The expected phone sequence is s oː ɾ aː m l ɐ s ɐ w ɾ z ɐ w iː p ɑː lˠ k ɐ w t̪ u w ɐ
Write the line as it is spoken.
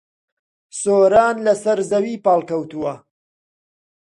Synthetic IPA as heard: s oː ɾ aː n l ɐ s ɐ ɾ z ɐ w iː p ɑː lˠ k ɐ w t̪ u w ɐ